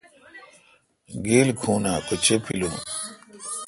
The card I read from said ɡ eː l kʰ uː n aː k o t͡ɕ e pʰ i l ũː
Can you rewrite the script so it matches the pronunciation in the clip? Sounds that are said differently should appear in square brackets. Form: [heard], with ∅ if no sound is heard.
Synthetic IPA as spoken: ɡ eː l kʰ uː n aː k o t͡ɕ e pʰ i l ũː